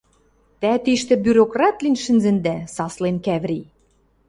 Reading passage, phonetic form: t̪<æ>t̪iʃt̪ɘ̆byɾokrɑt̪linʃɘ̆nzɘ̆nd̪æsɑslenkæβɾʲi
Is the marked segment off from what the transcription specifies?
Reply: no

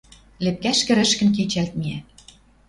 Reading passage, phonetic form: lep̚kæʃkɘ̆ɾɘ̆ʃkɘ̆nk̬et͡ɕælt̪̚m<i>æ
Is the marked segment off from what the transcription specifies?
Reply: no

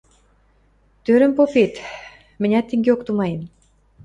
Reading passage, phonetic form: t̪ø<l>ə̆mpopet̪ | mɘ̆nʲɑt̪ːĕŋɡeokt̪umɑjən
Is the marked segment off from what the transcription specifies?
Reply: yes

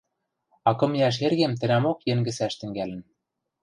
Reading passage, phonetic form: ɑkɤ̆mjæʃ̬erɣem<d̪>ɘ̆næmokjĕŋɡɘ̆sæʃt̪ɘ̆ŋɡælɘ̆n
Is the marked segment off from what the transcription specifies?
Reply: yes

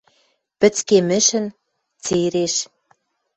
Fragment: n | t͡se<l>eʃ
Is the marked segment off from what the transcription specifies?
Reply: yes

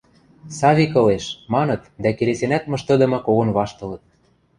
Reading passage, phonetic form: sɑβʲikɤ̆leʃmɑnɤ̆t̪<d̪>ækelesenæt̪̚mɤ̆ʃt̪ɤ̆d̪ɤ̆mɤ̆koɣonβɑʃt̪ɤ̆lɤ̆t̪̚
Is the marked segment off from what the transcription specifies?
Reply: no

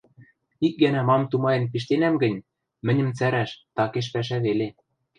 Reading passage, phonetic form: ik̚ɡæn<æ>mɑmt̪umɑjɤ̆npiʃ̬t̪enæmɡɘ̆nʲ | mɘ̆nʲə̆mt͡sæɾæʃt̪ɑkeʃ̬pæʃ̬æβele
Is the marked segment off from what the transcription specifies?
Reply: no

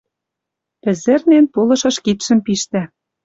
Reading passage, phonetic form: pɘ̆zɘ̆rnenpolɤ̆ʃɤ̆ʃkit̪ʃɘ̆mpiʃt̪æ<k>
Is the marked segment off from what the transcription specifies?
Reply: yes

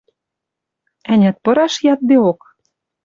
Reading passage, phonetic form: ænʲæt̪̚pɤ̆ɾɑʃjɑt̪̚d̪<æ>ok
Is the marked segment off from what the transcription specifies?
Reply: yes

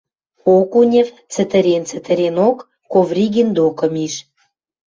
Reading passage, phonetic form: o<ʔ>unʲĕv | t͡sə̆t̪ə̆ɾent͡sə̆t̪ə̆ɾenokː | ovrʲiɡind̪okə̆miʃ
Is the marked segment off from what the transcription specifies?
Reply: yes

